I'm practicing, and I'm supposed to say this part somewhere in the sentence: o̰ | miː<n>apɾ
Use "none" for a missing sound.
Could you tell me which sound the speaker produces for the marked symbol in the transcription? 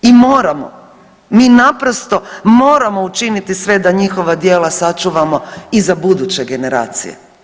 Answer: n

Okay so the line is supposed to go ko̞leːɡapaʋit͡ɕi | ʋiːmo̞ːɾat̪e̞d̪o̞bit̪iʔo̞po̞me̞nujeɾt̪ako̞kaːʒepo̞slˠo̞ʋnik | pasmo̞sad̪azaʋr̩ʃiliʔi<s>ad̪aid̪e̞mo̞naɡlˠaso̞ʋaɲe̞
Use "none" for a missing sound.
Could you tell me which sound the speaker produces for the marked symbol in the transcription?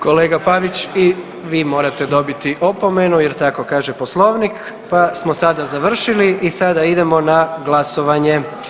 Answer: s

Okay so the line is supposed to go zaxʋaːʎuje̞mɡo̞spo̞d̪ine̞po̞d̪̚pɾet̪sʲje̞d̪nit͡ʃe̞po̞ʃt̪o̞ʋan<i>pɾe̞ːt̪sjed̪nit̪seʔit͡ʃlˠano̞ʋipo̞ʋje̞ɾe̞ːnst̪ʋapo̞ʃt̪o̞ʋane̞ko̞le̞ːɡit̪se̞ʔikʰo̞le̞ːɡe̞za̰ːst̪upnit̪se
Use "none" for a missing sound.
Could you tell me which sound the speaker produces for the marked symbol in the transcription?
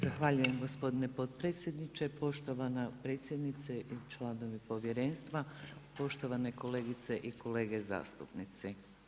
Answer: a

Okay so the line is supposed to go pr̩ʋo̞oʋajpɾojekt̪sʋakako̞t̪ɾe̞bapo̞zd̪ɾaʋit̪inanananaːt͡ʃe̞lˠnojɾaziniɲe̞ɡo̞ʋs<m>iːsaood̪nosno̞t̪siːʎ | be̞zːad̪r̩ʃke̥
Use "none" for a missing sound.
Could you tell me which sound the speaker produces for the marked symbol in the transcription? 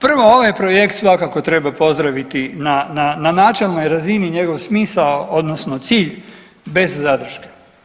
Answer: m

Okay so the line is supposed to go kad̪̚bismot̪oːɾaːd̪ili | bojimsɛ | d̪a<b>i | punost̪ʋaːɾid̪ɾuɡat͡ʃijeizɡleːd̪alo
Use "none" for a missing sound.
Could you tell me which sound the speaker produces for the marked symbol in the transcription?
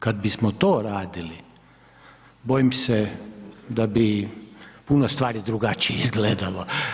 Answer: b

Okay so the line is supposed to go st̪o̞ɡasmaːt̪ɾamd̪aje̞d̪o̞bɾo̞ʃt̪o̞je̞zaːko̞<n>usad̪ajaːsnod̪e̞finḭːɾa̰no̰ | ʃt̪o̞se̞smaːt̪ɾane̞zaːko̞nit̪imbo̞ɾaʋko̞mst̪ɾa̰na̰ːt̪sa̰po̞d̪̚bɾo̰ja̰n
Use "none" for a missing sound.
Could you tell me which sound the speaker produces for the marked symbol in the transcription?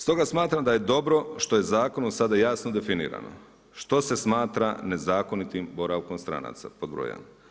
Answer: n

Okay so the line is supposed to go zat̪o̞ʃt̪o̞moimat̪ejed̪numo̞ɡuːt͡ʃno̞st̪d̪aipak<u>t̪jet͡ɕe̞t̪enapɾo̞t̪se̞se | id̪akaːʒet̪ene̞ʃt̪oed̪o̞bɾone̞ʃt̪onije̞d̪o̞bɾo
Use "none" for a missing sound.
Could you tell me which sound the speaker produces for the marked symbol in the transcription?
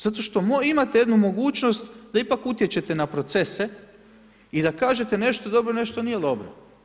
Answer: u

